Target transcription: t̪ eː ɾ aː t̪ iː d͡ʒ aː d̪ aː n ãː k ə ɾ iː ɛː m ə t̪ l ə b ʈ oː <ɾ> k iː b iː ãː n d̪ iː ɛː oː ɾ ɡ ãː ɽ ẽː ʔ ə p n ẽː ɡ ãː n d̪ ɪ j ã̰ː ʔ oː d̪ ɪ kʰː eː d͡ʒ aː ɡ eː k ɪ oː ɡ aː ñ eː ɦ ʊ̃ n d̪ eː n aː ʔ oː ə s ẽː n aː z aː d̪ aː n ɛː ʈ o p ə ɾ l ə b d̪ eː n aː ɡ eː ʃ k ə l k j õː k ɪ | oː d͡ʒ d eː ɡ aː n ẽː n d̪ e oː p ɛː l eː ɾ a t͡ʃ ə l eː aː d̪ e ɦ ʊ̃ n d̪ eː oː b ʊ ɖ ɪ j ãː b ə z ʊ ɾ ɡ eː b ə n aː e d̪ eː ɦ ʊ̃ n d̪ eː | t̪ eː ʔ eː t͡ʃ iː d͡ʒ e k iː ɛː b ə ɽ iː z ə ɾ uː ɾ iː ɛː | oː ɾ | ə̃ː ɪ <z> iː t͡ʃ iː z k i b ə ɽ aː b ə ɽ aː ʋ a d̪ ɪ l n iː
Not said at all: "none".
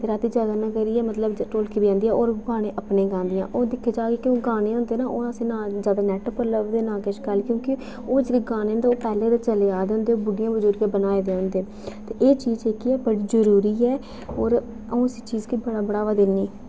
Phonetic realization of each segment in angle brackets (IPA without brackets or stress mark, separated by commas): l, s